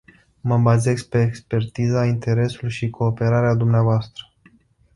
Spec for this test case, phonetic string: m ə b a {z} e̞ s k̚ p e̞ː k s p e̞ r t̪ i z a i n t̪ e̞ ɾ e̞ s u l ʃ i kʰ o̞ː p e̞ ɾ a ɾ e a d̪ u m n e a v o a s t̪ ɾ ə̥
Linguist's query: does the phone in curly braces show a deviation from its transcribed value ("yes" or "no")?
no